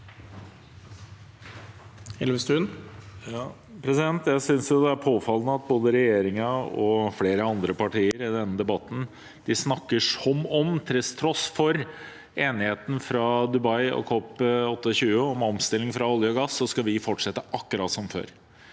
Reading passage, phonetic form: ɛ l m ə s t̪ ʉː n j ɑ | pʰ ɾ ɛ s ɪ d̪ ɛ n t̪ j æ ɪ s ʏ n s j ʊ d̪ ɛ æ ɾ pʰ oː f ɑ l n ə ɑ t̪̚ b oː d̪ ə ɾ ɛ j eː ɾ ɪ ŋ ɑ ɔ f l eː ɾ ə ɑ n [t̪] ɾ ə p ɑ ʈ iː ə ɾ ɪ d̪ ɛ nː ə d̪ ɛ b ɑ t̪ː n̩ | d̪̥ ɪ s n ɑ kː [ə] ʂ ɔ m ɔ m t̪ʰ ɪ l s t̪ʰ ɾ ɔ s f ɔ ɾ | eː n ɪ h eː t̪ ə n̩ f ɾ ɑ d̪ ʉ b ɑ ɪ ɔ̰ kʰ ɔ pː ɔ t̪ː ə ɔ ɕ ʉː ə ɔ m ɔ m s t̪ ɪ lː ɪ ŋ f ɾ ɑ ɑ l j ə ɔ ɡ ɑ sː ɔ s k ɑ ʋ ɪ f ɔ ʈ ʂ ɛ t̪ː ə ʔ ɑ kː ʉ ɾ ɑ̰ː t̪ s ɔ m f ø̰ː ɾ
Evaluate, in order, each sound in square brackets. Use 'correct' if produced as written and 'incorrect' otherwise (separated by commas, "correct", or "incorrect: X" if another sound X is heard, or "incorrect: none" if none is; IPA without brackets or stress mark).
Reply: incorrect: d̪, correct